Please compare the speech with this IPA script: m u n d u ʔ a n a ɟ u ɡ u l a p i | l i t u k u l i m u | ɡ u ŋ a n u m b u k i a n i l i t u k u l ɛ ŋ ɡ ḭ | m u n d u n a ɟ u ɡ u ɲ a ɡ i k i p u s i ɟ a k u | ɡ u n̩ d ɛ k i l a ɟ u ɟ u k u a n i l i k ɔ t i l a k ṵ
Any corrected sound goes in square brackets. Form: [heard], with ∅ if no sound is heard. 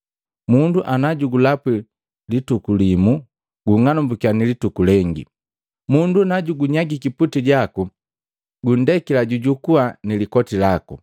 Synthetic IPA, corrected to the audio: m u n d u ʔ a n a ɟ u ɡ u l a p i | l i t u k u l i m u | ɡ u ŋ a n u m b u k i a n i l i t u k u l ɛ ŋ ɡ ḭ | m u n d u n a ɟ u ɡ u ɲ a ɡ i k i p u [t] i ɟ a k u | ɡ u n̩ d ɛ k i l a ɟ u ɟ u k u a n i l i k ɔ t i l a k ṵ